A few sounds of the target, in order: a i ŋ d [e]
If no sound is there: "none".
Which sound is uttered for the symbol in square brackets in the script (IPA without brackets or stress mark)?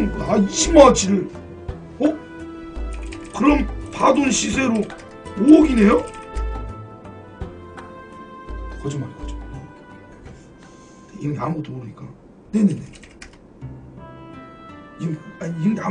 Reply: a